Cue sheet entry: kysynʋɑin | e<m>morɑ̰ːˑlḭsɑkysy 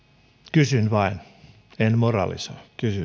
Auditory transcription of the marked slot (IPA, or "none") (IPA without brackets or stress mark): n